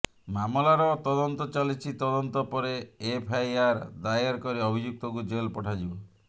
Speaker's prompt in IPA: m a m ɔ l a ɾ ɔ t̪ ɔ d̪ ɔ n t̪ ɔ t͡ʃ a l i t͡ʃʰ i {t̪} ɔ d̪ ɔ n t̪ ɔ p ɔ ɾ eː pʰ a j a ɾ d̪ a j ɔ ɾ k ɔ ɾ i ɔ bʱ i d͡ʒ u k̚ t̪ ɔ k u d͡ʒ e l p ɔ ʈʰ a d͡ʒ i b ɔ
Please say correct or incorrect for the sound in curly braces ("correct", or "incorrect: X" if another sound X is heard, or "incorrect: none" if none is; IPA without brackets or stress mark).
correct